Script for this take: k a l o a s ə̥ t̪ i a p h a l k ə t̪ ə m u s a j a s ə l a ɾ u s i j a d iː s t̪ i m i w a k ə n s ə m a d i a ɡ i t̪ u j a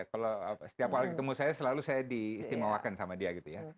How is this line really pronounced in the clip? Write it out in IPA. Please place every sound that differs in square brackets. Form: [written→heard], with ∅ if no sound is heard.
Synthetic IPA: k a l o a s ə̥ t̪ i a p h a l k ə t̪ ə m u s a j a s ə l a [ɾ→l] u s [i→a] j a d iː s t̪ i m [i→a] w a k [ə→a] n s [ə→a] m a d i a ɡ i t̪ u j a